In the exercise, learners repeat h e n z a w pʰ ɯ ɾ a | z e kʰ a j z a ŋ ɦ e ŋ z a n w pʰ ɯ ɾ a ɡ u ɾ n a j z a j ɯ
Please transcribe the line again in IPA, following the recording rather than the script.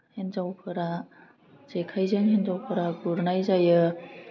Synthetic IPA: h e n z a w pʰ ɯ ɾ a | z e kʰ a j z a ŋ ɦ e n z a w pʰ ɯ ɾ a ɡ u ɾ n a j z a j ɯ